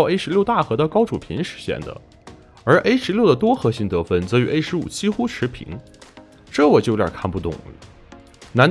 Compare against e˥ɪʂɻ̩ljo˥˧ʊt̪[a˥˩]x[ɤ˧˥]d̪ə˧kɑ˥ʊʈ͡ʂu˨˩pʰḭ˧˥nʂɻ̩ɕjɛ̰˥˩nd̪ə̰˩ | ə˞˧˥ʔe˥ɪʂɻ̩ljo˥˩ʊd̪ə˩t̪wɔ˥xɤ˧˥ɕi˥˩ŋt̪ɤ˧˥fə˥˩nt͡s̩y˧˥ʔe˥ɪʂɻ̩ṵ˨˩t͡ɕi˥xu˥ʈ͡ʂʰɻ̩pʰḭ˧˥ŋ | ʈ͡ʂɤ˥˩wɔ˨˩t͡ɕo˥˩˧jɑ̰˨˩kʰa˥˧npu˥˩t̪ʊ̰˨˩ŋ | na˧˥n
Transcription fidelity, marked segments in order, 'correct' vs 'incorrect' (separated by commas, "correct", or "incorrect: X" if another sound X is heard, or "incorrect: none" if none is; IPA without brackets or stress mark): correct, correct